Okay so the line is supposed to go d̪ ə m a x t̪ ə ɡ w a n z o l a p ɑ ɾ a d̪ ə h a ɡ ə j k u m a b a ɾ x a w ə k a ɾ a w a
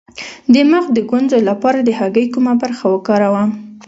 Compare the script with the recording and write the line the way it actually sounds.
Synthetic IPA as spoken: d̪ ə m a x d̪ ə ɡ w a n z o l a p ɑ ɾ a d̪ ə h a ɡ ə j k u m a b a ɾ x a w ə k ɑ ɾ a w a